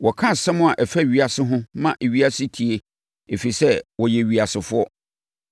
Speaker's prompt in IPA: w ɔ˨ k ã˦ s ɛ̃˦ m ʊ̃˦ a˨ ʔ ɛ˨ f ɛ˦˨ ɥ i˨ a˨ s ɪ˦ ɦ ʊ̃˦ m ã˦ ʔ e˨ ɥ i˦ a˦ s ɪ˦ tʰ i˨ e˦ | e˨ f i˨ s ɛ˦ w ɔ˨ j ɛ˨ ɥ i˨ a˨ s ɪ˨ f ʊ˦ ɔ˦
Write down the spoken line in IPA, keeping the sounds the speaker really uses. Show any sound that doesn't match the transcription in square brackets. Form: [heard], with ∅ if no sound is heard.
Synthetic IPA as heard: w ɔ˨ [kʰ] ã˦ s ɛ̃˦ m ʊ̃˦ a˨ ʔ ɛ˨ f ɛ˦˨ ɥ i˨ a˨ s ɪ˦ ɦ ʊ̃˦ m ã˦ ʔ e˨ ɥ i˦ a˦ s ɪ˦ tʰ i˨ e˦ | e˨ f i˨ s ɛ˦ w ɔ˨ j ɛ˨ ɥ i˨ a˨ s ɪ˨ f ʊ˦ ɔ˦